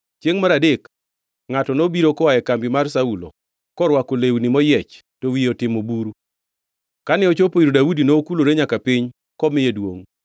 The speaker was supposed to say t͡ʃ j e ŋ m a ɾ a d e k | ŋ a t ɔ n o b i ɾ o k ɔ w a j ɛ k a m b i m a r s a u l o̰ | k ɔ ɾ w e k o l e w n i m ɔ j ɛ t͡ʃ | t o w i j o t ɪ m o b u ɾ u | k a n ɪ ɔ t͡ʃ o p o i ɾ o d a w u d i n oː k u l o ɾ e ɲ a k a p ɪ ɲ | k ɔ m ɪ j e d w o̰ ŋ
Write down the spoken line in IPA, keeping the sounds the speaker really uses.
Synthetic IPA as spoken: t͡ʃ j e ŋ m a ɾ a d e k | ŋ a t ɔ n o b i ɾ o k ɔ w a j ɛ k a m b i m a r s a u l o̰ | k ɔ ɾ w a k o l e w n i m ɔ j ɛ t͡ʃ | t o w i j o t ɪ m o b u ɾ u | k a n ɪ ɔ t͡ʃ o p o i ɾ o d a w u d i n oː k u l o ɾ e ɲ a k a p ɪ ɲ | k ɔ m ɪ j e d w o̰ ŋ